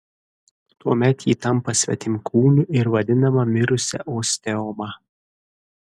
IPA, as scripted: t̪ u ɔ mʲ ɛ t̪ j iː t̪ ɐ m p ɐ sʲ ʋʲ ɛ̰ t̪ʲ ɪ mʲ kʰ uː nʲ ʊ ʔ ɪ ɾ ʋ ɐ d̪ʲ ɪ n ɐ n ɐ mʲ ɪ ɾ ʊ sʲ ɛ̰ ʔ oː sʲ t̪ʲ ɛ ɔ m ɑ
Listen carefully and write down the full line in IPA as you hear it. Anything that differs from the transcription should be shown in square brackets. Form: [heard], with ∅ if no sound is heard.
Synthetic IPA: t̪ u ɔ mʲ ɛ t̪ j iː t̪ ɐ m p ɐ sʲ ʋʲ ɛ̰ t̪ʲ ɪ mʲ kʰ uː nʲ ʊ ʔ ɪ ɾ ʋ ɐ d̪ʲ ɪ n ɐ [m] ɐ mʲ ɪ ɾ ʊ sʲ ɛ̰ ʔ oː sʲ t̪ʲ ɛ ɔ m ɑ